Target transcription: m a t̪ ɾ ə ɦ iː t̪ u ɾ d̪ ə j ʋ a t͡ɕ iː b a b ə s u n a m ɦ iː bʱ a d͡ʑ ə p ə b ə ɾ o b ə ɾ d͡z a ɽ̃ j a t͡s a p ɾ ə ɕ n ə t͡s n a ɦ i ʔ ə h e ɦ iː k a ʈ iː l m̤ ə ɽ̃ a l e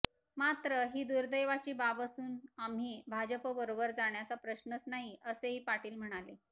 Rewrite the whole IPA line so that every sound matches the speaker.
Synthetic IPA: m a t̪ ɾ ə ɦ iː d̪ u ɾ d̪ ə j ʋ a t͡ɕ iː b a b ə s uː n a m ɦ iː bʱ a d͡ʑ ə p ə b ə ɾ o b ə ɾ d͡z a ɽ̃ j a t͡s a p ɾ ə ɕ n ə t͡s n a ɦ i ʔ ə s e ɦ iː p a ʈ iː l m̤ ə ɽ̃ a l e

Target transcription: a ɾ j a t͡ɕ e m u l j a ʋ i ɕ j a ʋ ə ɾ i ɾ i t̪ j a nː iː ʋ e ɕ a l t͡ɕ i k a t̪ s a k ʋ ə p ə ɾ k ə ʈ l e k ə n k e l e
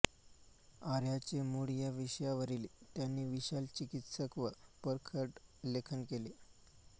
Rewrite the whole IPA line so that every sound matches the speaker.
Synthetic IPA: a ɾ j a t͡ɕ e m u ɽ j a ʋ i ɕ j a ʋ ə ɾ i l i t̪ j a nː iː ʋ i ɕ a l t͡ɕ i k i t̪ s ə k ʋ ə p ə ɾ kʰ ə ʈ l e kʰ ə n k e l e

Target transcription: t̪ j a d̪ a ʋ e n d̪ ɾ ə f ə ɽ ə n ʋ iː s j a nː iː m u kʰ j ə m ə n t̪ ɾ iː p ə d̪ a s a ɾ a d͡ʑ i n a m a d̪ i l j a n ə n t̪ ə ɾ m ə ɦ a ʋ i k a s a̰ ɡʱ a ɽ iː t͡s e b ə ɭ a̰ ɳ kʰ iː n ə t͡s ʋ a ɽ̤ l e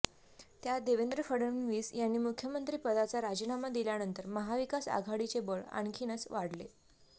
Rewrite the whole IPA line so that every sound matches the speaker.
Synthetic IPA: t̪ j a d̪ e ʋ e n d̪ ɾ ə f ə ɽ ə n ʋ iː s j a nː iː m u kʰ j ə m ə n t̪ ɾ iː p ə d̪ a t͡s a ɾ a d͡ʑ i n a m a d̪ i l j a n ə n t̪ ə ɾ m ə ɦ a ʋ i k a s a̰ ɡʱ a ɽ i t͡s e b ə ɭ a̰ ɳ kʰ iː n ə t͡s ʋ a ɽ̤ l e

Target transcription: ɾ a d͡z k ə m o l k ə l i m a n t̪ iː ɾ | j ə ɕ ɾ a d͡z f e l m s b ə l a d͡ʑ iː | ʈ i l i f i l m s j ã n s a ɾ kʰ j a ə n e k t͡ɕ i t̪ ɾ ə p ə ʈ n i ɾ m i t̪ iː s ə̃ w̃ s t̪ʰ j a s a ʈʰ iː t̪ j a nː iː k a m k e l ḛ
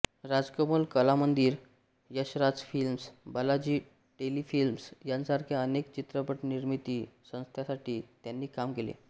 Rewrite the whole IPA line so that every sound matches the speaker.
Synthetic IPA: ɾ a d͡z k ə m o l k ə l a m ə n d̪ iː ɾ | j ə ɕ ɾ a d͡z f i l m s b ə l a d͡ʑ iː | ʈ e l i f i l m s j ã n s a ɾ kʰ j a ə n e k t͡ɕ i t̪ ɾ ə p ə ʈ n i ɾ m i t̪ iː s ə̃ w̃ s t̪ʰ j a s a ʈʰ iː t̪ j a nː iː k a m k e l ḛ

